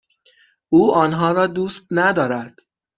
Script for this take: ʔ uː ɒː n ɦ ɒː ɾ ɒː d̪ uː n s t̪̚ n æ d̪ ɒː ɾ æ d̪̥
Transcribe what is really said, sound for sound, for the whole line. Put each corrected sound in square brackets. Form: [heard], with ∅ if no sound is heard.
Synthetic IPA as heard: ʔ uː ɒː n ɦ ɒː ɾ ɒː d̪ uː [∅] s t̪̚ n æ d̪ ɒː ɾ æ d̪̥